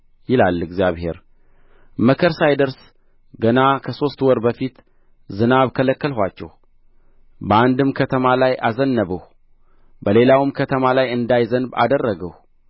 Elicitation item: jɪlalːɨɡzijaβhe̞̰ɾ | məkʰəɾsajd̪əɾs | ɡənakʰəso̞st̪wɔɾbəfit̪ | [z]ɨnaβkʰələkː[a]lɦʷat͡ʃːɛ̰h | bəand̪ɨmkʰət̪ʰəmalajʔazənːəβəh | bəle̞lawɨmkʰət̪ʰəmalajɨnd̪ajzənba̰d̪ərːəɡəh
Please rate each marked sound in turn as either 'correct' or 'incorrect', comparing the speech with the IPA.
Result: correct, incorrect: ə

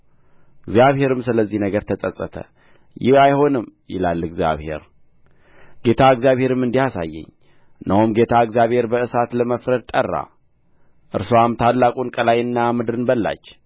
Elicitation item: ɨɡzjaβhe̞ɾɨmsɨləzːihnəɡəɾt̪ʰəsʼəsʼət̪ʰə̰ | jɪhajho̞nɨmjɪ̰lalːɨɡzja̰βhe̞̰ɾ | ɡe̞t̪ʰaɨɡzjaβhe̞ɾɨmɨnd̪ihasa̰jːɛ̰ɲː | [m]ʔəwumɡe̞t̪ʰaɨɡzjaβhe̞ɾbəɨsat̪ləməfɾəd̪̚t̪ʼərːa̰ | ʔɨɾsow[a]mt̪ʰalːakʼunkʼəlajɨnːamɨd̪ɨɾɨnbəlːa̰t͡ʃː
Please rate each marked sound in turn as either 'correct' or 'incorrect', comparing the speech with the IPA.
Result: incorrect: n, correct

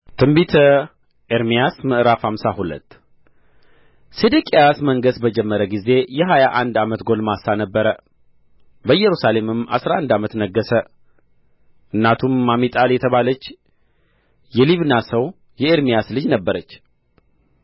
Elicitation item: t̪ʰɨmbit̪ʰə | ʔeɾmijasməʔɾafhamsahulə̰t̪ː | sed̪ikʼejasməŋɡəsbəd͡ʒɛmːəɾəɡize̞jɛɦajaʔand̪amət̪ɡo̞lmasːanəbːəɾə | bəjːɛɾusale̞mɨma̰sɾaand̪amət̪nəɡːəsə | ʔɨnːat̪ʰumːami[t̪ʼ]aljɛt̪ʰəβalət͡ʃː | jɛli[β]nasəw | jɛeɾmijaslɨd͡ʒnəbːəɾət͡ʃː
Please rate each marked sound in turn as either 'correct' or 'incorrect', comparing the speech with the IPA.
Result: correct, correct

